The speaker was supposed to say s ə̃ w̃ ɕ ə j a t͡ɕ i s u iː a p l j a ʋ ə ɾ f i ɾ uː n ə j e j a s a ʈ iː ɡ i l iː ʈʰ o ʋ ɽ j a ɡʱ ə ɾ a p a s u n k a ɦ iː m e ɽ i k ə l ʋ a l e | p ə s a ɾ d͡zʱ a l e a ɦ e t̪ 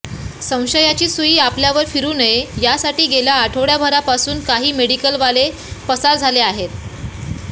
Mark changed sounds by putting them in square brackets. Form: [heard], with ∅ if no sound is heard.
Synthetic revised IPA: s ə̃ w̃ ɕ ə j a t͡ɕ [iː] s u iː a p l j a ʋ ə ɾ f i ɾ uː n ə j e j a s a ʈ iː ɡ [e] l [aː] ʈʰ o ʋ ɽ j a [bʱ] ə ɾ a p a s [uː] n k a ɦ iː m e ɽ i k ə l ʋ a l e | p ə s a ɾ d͡zʱ a l e a ɦ e t̪